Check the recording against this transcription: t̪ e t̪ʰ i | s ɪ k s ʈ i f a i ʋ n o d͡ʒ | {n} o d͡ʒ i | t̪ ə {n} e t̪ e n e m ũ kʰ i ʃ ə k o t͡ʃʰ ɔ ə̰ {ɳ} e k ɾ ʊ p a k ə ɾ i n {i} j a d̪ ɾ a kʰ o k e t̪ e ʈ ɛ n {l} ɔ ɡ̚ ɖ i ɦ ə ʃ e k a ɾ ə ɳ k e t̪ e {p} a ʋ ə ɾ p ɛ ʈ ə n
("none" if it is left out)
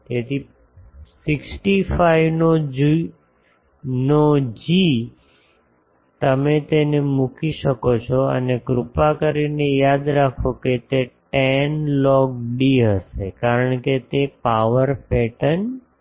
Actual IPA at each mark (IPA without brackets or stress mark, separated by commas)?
n, m, n, e, l, p